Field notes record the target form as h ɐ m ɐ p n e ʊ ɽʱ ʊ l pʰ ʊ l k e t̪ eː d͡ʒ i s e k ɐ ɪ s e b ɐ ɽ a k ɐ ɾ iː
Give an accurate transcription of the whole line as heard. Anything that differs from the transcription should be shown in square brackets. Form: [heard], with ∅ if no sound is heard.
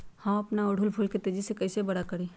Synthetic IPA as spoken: h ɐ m ɐ p n [a] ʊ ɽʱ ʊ l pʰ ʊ l k e t̪ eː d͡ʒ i s e k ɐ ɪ s e b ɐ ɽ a k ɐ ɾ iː